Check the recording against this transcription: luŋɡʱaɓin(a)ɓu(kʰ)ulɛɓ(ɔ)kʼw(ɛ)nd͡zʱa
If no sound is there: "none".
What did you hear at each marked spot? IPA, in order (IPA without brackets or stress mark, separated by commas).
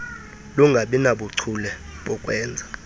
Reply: a, ǀʰ, ɔ, ɛː